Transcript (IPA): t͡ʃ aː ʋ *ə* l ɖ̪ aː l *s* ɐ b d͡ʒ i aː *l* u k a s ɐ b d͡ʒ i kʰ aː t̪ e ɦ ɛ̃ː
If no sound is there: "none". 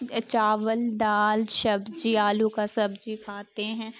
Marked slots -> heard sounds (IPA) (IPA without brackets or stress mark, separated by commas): ə, ʃ, l